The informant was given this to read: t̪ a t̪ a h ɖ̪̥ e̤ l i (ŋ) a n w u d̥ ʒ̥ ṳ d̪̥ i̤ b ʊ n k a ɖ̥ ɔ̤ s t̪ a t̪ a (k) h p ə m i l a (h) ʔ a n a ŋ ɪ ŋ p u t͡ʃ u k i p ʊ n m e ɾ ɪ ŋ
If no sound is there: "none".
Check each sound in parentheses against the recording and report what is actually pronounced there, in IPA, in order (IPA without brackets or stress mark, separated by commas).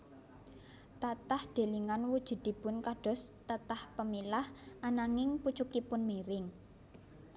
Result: ŋ, none, h